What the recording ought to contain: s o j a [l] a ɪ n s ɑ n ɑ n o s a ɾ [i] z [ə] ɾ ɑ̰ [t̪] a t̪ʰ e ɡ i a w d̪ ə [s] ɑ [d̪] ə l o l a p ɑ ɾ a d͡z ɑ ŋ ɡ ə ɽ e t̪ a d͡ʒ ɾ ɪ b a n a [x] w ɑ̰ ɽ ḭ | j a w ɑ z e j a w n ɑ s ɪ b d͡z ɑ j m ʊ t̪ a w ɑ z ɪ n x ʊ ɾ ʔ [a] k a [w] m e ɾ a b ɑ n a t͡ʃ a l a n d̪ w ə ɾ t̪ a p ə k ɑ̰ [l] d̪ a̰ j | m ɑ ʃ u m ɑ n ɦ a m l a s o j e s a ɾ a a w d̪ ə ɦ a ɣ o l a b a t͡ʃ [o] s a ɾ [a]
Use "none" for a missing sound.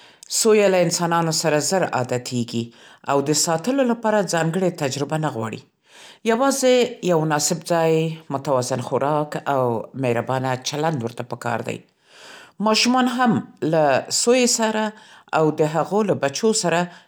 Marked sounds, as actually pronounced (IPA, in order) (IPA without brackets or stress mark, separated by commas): l, a, ə, d̪, s, t̪, ɣ, ɑ, w, ɾ, o, a